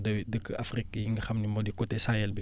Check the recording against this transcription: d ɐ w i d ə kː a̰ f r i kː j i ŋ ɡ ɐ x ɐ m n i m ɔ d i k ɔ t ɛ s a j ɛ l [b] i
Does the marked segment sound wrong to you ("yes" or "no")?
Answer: no